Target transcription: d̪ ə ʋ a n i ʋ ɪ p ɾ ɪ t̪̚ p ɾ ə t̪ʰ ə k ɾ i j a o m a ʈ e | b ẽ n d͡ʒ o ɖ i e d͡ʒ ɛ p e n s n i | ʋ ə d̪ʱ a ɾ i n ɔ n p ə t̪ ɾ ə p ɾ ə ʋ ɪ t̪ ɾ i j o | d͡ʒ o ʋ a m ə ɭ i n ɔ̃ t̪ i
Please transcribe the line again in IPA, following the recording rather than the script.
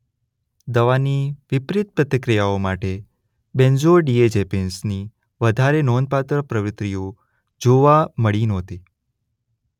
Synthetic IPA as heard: d̪ ə ʋ a n i ʋ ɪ p ɾ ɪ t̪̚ p ɾ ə t̪ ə k ɾ i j a o m a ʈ e | b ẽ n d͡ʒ o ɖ i e d͡ʒ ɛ p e n s n i | ʋ ə d̪ʱ a ɾ e n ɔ n p a t̪ ɾ ə p ɾ ə ʋ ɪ t̪ ɾ i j o | d͡ʒ o ʋ a m ə ɭ i n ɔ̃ t̪ i